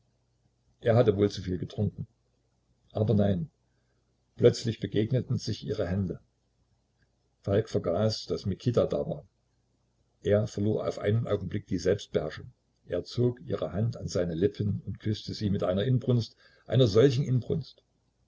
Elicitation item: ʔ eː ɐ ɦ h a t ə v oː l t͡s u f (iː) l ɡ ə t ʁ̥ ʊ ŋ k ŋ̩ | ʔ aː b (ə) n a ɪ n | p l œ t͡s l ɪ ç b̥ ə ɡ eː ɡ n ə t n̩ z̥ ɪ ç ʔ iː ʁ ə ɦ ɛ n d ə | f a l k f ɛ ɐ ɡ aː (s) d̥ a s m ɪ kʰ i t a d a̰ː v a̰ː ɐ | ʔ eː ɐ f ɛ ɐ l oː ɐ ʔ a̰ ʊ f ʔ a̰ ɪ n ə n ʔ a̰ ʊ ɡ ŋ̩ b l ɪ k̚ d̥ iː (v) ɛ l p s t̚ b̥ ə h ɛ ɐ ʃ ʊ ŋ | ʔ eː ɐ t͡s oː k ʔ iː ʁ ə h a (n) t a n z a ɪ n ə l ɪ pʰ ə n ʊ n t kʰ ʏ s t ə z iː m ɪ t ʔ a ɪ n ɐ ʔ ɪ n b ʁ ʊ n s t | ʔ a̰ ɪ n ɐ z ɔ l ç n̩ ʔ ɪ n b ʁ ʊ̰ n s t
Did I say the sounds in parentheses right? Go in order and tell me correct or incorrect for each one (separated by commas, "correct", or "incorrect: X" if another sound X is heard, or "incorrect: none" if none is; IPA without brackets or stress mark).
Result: correct, incorrect: ɐ, correct, incorrect: z, correct